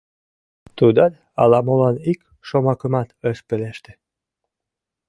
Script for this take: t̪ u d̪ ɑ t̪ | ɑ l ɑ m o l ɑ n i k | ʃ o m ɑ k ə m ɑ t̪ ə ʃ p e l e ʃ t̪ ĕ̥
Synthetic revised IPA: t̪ u d̪ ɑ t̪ | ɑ l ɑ m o l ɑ n i k | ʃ o m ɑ k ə m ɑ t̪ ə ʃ p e l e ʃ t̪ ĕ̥